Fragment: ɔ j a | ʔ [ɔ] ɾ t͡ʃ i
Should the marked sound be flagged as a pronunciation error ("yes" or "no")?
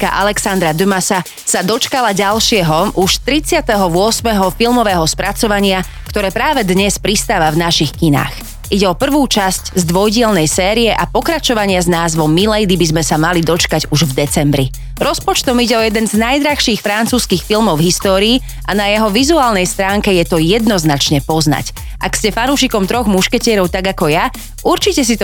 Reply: yes